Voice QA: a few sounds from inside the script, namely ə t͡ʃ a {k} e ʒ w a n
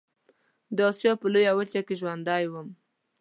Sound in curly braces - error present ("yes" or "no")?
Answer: no